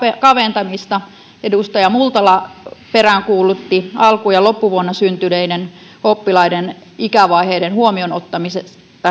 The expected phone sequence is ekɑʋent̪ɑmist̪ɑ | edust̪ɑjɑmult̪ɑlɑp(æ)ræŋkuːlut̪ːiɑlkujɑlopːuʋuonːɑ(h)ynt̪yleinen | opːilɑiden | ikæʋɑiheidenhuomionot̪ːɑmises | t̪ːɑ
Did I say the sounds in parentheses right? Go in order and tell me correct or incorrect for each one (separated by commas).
incorrect, incorrect